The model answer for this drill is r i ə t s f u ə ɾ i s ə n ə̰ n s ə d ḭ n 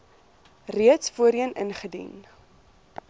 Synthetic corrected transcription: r i ə t s f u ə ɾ i ə n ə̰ n χ ə d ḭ n